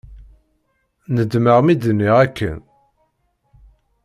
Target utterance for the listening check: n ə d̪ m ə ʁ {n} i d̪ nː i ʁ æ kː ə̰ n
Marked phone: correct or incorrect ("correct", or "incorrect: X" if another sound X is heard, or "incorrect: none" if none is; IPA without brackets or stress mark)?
incorrect: m